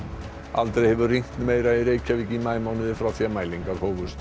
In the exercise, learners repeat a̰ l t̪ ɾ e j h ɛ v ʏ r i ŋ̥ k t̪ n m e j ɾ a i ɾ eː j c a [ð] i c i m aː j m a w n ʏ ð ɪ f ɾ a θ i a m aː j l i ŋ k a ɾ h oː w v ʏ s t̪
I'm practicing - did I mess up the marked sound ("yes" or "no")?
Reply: yes